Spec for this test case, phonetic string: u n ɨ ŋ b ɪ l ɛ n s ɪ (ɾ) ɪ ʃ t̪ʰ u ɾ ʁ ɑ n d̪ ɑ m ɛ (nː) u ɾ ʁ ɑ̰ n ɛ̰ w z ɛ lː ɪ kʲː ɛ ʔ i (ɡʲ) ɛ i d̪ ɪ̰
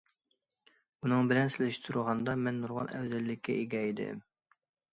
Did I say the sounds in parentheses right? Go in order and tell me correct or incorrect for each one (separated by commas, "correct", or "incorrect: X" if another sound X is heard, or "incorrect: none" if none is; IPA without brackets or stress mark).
incorrect: l, correct, correct